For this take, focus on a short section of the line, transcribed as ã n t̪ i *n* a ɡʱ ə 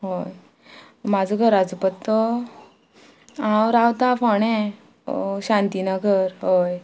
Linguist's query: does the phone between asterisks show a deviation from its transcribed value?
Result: no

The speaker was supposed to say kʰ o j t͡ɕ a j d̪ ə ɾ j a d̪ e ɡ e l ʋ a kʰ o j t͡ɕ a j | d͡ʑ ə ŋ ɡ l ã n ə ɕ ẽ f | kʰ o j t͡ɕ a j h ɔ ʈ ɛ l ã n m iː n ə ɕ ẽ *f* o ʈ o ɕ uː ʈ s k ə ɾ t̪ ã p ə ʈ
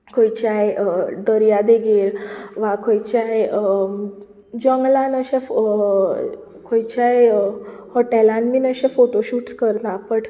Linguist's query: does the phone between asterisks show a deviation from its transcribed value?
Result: no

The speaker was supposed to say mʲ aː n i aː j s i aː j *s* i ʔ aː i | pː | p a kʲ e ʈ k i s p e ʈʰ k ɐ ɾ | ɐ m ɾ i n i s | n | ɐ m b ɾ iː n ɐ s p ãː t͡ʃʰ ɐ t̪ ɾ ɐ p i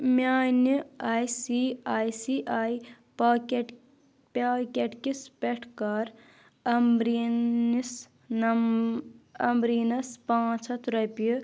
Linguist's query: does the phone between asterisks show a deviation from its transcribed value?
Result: no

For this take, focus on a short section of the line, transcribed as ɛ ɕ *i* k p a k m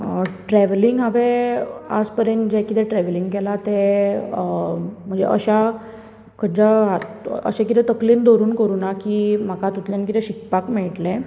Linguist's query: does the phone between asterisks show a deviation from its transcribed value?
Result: no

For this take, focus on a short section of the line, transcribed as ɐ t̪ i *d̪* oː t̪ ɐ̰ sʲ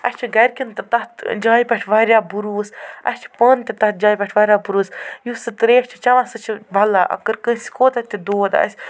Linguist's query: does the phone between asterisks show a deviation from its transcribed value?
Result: no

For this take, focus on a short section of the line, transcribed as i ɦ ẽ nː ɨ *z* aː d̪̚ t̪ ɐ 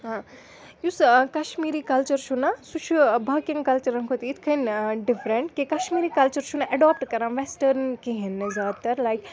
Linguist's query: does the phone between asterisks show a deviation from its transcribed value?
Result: no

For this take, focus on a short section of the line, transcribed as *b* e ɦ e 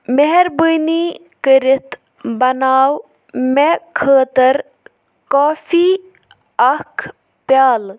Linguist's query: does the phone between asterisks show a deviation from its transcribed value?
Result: yes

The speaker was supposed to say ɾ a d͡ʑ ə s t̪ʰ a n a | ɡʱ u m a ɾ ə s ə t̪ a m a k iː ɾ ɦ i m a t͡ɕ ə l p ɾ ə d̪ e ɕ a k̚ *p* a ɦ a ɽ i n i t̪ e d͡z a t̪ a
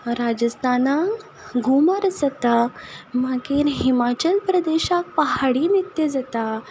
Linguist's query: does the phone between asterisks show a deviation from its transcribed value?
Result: no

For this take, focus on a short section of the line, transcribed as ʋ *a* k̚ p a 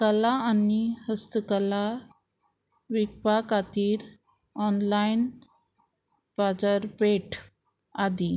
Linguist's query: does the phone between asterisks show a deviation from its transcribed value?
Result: yes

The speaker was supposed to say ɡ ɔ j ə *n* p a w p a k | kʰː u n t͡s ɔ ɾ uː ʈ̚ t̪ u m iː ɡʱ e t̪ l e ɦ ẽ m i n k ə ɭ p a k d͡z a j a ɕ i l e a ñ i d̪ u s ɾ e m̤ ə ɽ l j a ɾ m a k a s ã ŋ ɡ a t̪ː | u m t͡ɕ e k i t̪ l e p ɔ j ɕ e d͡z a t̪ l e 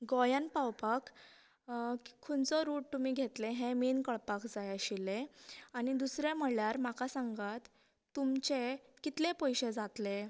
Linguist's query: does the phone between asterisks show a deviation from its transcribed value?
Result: no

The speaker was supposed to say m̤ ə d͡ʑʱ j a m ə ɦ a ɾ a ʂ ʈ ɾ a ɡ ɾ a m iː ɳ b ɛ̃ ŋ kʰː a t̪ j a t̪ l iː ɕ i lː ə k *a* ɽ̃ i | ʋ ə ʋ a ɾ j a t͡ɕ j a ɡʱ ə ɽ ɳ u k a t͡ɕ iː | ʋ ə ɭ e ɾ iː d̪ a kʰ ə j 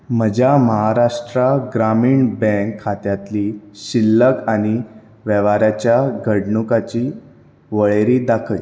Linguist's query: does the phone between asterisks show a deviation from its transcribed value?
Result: no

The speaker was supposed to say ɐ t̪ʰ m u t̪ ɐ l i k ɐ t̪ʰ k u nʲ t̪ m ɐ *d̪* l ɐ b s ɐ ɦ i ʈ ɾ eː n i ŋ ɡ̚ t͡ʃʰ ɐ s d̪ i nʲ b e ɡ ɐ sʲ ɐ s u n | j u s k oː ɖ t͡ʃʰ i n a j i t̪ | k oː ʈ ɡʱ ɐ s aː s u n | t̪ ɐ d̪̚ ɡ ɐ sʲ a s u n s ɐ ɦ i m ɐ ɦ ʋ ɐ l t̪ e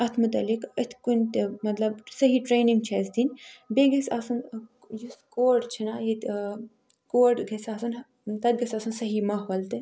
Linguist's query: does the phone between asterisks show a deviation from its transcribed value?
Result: yes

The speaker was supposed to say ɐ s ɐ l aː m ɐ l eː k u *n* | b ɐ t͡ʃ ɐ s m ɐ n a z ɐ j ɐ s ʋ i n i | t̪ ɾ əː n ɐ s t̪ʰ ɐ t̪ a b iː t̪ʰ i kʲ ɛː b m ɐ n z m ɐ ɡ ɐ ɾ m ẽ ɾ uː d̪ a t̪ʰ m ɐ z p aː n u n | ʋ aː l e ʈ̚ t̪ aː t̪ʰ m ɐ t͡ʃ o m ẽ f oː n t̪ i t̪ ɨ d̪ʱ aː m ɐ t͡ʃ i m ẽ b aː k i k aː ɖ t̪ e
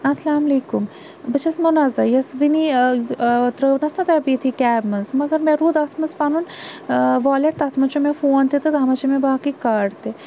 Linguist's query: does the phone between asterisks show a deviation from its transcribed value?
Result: yes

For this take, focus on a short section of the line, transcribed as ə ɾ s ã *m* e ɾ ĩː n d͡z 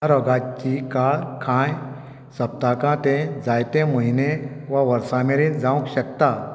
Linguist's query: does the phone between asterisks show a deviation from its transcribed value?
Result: no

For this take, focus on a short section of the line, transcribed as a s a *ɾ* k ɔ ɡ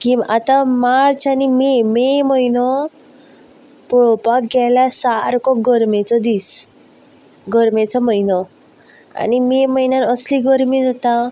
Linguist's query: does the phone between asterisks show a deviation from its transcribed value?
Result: no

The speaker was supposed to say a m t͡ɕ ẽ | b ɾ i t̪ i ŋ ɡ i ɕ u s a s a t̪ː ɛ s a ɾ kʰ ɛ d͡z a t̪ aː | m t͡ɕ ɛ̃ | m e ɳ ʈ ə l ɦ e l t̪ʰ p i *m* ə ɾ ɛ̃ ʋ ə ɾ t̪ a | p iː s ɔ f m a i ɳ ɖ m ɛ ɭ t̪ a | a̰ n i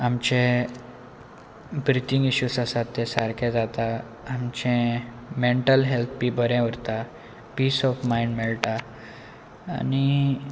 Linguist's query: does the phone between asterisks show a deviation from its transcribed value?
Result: yes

